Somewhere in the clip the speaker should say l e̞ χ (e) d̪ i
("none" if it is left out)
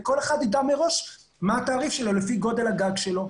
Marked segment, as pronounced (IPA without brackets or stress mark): a